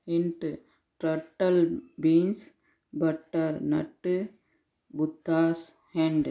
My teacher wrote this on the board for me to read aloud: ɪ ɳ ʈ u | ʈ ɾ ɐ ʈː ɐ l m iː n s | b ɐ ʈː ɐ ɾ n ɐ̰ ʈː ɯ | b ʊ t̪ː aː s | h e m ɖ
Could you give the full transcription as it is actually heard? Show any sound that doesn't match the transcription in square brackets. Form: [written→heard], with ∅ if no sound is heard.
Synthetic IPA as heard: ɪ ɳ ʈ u | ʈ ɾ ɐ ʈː ɐ l [m→b] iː n s | b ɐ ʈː ɐ ɾ n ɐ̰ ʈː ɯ | b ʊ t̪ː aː s | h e [m→ɳ] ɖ